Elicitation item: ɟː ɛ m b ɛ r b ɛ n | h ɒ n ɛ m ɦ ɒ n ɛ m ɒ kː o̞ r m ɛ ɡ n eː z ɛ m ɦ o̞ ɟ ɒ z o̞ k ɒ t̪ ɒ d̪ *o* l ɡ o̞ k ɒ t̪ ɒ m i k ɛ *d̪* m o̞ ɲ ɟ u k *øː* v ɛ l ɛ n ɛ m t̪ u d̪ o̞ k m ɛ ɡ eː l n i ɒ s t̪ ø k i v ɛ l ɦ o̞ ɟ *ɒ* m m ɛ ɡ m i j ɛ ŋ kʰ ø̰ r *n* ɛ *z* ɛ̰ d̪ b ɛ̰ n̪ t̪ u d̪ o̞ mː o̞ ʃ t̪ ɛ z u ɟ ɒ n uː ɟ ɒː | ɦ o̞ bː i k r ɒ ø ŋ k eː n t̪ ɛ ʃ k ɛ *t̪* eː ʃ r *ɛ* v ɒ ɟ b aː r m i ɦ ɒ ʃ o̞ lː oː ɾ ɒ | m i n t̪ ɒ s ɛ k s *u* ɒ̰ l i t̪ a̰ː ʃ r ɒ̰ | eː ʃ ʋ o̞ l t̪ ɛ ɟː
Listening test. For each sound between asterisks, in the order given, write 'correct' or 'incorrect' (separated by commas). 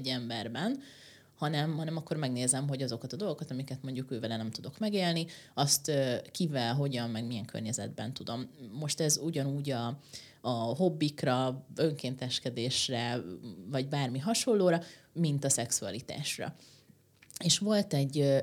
correct, incorrect, correct, correct, incorrect, correct, incorrect, correct, correct